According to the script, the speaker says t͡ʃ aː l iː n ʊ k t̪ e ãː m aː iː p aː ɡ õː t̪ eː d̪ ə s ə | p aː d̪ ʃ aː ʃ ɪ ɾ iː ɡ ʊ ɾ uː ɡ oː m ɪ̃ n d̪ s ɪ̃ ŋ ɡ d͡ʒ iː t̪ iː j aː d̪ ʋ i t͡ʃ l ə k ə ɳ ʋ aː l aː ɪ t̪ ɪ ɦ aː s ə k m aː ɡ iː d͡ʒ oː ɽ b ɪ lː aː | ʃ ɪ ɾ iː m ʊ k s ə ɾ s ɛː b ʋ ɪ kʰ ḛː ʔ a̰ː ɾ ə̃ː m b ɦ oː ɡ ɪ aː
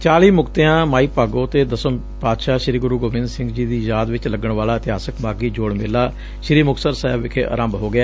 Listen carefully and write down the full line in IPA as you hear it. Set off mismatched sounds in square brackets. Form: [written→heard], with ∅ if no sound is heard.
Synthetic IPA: t͡ʃ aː l iː [n→m] ʊ k t̪ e ãː m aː iː p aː ɡ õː t̪ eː d̪ ə s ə | p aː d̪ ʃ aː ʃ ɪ ɾ iː ɡ ʊ ɾ uː ɡ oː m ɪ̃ n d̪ s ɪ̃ ŋ ɡ d͡ʒ iː [t̪→d̪] iː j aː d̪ ʋ [i→ɪ] t͡ʃ l ə [k→ɡ] ə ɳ ʋ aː l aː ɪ t̪ ɪ ɦ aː s ə k m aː ɡ iː d͡ʒ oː ɽ [b→m] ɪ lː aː | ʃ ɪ ɾ iː m ʊ k s ə ɾ s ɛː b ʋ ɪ kʰ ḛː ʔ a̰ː ɾ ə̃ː m b ɦ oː ɡ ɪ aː